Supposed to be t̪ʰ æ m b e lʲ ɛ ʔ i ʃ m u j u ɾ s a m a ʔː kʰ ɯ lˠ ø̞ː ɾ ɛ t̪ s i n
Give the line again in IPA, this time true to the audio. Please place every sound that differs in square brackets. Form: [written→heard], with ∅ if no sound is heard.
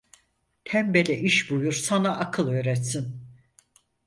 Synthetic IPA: t̪ʰ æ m b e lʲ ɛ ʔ i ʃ [m→b] u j u ɾ s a [m→n] a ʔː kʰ ɯ lˠ ø̞ː ɾ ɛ t̪ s i n